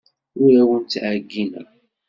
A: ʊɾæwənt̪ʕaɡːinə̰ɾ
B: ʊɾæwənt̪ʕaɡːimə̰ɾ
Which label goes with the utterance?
A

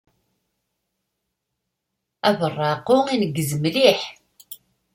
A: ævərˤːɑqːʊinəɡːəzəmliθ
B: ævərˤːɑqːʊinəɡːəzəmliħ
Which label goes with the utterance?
B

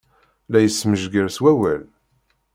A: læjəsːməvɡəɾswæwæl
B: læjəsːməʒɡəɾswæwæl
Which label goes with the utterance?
B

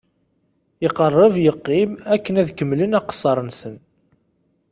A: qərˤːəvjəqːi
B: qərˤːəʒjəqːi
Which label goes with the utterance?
A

